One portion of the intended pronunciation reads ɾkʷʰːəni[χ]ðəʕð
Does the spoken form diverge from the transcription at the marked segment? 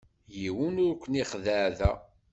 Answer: no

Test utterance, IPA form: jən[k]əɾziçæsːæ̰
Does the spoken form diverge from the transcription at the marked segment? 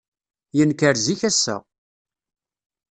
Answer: no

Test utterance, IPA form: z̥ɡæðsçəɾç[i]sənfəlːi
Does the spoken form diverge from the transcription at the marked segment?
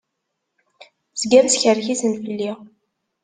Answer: no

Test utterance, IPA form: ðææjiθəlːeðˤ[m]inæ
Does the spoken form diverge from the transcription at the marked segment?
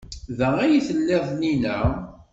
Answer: yes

